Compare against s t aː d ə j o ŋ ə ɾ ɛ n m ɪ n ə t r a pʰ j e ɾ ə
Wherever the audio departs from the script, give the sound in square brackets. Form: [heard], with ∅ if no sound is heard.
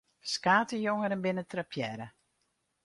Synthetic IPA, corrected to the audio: s [k] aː [t] ə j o ŋ ə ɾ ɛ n [b] ɪ n ə t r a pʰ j [ɛ] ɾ ə